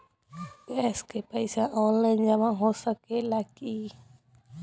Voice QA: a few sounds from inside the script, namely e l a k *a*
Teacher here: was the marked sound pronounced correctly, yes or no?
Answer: no